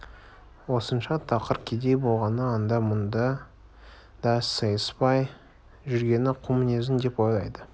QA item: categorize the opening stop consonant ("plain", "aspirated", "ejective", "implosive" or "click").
aspirated